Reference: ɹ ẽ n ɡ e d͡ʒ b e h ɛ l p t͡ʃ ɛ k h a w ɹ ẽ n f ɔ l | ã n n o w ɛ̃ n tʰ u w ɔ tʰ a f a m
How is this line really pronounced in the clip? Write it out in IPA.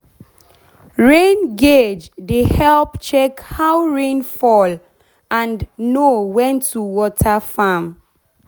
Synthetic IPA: ɹ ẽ n ɡ e d͡ʒ d e h ɛ l p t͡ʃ ɛ k h a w ɹ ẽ n f ɔ l | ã n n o w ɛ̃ n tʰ u w ɔ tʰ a f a m